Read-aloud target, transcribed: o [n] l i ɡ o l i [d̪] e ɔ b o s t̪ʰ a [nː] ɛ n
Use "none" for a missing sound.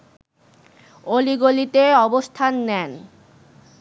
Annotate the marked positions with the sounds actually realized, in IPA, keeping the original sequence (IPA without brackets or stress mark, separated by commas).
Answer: none, t̪, nː